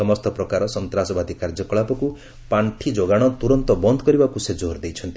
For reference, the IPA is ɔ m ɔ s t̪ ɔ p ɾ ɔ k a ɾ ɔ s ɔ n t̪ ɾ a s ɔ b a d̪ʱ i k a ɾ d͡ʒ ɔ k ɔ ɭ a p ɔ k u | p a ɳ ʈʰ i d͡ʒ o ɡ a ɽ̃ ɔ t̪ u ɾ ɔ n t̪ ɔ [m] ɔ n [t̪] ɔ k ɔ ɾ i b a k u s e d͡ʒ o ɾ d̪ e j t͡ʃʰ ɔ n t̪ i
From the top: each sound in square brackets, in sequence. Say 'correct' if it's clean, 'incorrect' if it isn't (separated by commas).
incorrect, incorrect